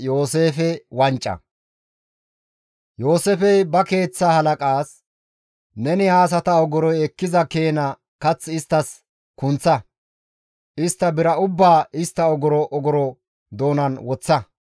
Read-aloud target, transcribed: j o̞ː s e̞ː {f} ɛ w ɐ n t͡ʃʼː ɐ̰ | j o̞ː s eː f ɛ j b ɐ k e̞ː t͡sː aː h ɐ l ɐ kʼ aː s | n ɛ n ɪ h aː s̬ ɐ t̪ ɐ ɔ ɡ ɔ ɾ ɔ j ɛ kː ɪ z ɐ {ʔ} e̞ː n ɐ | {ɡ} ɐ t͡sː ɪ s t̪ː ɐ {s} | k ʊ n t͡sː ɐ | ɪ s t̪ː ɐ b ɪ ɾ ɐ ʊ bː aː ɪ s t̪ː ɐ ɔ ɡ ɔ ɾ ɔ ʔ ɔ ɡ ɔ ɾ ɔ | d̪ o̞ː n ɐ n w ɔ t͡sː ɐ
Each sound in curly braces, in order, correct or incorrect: correct, incorrect: k, incorrect: k, correct

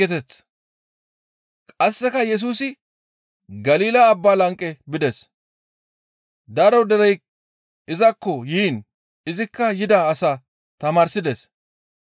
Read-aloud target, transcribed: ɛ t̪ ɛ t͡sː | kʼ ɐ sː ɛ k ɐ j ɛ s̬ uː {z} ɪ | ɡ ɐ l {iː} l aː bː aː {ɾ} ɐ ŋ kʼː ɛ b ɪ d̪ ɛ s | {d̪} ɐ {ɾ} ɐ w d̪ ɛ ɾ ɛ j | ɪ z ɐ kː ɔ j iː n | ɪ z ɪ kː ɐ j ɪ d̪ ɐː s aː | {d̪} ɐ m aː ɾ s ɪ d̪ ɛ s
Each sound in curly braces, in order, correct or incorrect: incorrect: s, correct, incorrect: l, correct, correct, incorrect: t̪

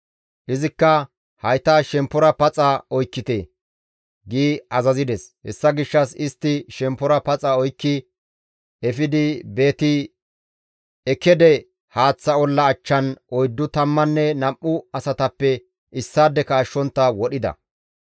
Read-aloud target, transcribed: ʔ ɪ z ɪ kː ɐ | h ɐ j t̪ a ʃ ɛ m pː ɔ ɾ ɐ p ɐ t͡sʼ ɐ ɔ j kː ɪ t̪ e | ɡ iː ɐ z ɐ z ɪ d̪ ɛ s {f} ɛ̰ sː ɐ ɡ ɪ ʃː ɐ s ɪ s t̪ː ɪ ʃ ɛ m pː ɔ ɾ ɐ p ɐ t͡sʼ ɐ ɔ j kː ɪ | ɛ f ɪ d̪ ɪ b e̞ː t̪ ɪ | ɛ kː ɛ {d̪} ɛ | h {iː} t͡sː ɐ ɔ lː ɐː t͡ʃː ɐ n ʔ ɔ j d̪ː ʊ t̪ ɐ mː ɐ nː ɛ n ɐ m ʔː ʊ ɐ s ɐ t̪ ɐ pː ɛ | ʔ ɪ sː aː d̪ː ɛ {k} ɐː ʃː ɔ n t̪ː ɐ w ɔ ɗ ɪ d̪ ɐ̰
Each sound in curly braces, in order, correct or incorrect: incorrect: h, correct, incorrect: aː, correct

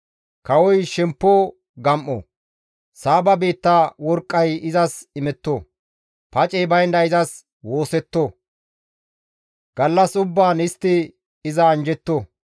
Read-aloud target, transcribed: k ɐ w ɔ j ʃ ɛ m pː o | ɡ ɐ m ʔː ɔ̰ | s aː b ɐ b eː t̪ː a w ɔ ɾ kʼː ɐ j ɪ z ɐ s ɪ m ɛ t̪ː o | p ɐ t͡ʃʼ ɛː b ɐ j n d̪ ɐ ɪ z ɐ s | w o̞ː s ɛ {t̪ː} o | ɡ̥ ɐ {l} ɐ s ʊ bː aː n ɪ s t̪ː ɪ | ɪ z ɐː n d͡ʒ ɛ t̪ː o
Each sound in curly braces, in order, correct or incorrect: correct, incorrect: lː

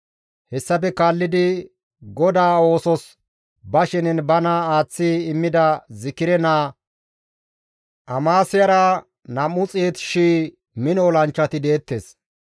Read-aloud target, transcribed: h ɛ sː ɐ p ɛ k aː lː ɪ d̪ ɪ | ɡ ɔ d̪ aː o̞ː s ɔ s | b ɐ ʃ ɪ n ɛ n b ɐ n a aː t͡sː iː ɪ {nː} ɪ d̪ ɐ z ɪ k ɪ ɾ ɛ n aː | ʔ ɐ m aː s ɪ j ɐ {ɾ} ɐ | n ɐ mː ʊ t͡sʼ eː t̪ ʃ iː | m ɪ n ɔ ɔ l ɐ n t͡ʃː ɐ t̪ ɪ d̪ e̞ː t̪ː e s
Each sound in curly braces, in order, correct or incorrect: incorrect: mː, correct

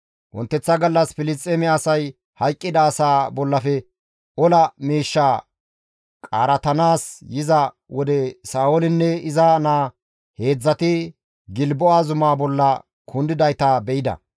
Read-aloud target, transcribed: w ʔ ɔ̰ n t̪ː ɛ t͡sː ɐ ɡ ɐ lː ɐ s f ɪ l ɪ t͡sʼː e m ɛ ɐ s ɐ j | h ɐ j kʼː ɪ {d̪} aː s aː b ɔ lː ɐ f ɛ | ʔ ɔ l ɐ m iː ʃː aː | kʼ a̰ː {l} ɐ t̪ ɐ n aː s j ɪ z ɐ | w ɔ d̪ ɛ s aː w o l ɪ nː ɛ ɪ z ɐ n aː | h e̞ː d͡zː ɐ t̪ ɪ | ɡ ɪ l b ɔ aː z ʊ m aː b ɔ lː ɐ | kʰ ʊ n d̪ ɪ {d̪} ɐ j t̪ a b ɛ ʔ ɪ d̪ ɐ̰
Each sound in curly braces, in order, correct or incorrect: correct, incorrect: ɾ, correct

